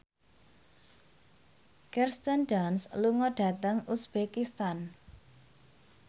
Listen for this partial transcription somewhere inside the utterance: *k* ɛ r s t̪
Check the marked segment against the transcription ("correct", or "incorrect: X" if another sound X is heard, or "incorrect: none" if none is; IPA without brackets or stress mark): correct